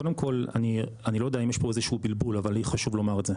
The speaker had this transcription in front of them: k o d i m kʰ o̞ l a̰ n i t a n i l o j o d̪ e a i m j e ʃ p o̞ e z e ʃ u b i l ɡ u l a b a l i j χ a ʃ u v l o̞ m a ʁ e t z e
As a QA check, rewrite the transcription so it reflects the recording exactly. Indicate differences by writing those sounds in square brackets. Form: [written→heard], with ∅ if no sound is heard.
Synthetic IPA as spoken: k o d [i→e] m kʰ o̞ l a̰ n i [t→∅] a n i l o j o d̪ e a i m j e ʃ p o̞ e z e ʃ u b i l [ɡ→b] u l a [b→v] a l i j χ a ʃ u v l o̞ m a ʁ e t z e